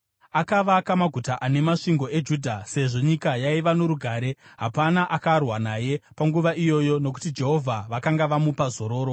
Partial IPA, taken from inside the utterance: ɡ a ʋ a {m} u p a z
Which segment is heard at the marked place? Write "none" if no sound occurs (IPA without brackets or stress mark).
m